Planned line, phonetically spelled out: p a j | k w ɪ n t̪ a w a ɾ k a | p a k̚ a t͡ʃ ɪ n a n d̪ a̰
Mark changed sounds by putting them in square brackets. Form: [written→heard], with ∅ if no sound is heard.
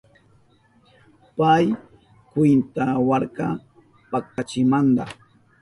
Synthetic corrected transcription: p a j | k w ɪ n t̪ a w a ɾ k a | p a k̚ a t͡ʃ ɪ [n→m] a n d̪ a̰